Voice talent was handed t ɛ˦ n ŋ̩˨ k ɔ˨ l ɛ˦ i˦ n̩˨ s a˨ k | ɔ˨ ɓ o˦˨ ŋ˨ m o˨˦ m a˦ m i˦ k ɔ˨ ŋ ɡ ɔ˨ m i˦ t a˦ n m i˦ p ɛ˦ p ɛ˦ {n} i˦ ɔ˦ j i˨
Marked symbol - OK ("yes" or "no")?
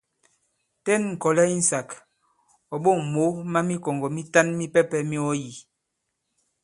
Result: no